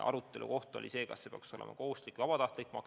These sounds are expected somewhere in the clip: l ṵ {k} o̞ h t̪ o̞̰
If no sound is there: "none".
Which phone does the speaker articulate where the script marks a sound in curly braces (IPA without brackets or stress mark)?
k